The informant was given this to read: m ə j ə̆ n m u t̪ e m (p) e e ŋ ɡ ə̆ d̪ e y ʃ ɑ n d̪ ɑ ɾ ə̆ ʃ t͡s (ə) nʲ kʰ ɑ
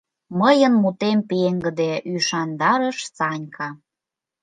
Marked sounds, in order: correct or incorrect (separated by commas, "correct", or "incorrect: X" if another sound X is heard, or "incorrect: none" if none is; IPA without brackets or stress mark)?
correct, incorrect: ɑ